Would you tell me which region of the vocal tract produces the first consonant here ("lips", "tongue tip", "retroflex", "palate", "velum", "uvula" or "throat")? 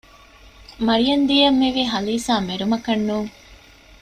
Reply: lips